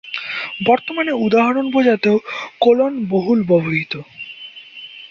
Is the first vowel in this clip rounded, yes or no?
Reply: yes